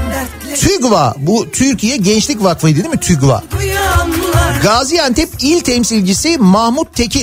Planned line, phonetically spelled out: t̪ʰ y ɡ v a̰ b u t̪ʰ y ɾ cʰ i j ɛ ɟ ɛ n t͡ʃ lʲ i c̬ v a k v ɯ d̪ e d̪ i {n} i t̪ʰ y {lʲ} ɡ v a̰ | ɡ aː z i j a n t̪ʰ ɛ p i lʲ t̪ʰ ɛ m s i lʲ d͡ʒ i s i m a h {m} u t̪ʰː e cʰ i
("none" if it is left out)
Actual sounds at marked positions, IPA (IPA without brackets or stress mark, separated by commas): m, none, m